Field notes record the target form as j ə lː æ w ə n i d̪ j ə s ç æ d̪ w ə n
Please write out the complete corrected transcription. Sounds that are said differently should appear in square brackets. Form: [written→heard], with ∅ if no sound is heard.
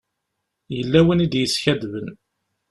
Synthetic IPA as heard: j ə lː æ w ə n i d̪ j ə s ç æ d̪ [w→v] ə n